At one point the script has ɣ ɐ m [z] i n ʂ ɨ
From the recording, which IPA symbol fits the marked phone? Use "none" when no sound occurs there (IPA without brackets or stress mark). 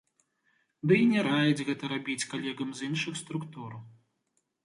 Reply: z